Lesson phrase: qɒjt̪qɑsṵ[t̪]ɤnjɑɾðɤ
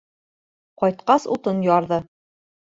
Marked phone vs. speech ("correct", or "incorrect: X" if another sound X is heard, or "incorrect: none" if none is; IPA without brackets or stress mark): correct